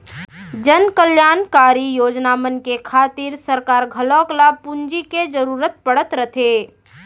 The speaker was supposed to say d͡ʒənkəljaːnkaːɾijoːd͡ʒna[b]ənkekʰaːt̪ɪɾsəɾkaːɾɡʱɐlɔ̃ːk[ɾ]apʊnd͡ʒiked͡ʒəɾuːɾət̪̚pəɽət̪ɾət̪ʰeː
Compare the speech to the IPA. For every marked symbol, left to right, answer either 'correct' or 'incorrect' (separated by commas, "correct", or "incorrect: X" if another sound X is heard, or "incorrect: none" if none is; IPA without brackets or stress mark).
incorrect: m, incorrect: l